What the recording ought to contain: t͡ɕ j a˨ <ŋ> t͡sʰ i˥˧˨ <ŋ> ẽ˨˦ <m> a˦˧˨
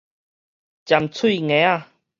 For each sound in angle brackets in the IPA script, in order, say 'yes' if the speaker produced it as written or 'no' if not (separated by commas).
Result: no, yes, no